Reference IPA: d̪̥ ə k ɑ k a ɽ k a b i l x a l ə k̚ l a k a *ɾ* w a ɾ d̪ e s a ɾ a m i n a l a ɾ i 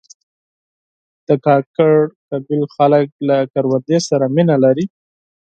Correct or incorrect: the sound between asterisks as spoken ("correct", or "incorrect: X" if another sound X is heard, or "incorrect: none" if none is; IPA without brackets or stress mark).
correct